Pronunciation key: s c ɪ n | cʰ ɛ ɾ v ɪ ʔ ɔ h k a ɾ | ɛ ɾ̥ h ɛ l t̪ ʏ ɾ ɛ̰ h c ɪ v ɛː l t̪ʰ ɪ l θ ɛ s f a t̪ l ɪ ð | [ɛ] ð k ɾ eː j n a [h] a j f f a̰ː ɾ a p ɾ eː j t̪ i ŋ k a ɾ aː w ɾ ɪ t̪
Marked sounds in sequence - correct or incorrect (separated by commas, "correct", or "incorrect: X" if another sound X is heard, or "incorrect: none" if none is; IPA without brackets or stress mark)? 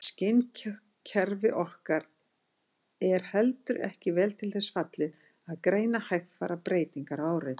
incorrect: a, correct